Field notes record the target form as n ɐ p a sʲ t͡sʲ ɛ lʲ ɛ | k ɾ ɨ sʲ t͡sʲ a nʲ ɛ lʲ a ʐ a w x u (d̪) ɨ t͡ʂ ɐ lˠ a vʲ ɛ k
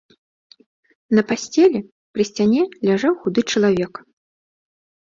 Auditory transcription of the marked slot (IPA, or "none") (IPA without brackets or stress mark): d̪